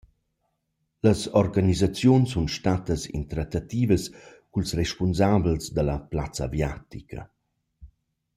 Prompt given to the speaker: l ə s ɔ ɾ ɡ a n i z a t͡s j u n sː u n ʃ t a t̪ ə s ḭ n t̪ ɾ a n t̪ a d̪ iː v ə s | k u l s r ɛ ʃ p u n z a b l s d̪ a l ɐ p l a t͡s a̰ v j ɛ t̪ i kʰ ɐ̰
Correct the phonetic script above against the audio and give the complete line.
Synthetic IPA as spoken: l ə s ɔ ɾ ɡ a n i z a t͡s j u n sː u n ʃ t a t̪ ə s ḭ n t̪ ɾ a t̪ a t̪ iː v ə s | k u l s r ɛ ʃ p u n z a b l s d̪ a l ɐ p l a t͡s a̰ v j a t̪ i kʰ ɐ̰